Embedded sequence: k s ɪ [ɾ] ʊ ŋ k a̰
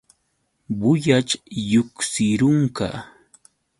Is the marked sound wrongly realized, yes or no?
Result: no